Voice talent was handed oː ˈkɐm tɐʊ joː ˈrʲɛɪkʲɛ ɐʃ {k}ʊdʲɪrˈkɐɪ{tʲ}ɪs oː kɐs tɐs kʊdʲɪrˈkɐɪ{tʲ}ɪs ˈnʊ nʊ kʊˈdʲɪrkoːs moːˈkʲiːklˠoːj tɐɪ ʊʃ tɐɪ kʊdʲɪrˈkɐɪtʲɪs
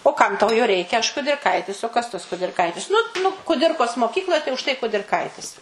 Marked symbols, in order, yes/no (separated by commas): yes, yes, yes